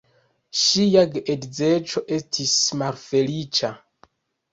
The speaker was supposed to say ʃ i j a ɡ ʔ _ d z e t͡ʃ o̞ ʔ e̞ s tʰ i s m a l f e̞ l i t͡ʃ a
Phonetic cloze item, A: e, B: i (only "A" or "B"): A